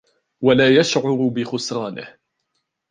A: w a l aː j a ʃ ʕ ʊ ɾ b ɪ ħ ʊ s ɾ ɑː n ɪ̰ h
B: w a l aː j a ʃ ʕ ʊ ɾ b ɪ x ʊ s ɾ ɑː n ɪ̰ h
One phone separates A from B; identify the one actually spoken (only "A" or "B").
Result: B